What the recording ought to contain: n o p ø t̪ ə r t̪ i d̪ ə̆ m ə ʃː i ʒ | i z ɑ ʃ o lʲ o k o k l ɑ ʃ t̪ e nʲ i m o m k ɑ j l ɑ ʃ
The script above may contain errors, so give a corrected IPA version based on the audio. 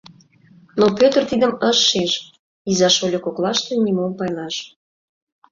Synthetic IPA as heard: n o p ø t̪ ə r t̪ i d̪ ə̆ m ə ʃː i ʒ | i z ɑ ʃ o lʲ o k o k l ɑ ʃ t̪ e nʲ i m o m p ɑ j l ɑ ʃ